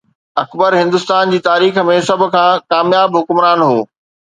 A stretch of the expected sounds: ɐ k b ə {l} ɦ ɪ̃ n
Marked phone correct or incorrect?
incorrect